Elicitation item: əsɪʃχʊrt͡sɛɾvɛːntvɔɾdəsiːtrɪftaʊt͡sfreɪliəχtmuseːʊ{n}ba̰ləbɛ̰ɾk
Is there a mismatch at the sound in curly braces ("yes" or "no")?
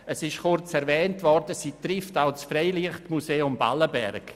yes